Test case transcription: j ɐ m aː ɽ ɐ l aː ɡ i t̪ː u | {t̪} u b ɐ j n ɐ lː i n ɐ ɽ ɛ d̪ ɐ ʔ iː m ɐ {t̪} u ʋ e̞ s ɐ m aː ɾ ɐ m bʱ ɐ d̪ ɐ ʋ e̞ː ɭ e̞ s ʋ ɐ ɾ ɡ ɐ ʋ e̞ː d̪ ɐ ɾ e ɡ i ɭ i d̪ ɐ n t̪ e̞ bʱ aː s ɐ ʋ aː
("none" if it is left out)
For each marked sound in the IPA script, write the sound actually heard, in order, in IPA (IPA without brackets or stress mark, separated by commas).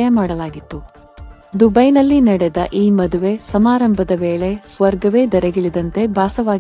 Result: d̪, d̪